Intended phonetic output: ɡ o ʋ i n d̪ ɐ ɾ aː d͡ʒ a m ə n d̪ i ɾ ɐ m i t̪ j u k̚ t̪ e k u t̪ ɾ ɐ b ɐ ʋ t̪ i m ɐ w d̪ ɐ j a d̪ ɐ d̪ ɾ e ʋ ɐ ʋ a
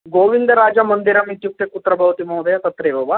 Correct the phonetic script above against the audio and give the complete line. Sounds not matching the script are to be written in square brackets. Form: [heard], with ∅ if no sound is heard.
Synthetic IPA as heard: ɡ o ʋ i n d̪ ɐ ɾ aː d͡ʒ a m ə n d̪ i ɾ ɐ m i t̪ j u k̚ t̪ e k u t̪ ɾ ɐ b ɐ ʋ t̪ i m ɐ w d̪ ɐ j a [t̪] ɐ [t̪] ɾ e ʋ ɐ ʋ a